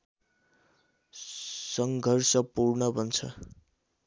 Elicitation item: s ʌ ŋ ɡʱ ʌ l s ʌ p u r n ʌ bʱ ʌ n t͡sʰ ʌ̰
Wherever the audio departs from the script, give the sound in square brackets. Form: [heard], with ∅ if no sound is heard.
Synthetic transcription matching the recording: s ʌ ŋ ɡʱ ʌ [r] s ʌ p u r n ʌ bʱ ʌ n t͡sʰ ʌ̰